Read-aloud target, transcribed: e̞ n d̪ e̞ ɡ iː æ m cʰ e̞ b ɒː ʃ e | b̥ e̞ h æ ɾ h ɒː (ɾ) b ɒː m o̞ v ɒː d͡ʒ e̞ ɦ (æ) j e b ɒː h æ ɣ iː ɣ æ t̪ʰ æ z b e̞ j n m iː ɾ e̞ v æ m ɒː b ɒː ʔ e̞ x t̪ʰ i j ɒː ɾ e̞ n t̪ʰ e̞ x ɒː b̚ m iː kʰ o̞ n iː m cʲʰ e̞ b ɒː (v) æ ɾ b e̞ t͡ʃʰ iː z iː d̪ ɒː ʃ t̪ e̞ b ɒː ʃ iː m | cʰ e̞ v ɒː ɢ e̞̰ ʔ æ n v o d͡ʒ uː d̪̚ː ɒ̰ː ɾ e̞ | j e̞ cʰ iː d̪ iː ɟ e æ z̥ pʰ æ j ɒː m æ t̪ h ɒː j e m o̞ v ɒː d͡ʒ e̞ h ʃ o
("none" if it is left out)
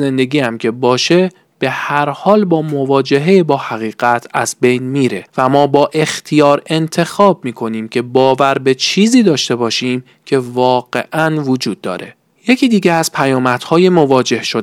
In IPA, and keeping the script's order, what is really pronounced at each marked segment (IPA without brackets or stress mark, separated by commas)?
l, e, v